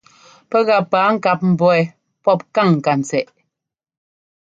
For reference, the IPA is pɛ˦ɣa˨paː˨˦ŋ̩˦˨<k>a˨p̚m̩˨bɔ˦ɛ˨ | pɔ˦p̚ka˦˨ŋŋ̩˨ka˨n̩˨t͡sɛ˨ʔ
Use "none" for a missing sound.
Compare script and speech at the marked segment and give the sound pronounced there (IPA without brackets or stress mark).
k